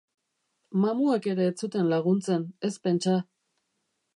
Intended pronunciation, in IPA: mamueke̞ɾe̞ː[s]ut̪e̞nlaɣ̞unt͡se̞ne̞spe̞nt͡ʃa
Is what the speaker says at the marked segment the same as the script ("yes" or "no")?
no